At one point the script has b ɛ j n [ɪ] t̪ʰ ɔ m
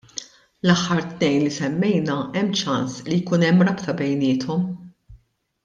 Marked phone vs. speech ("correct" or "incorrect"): incorrect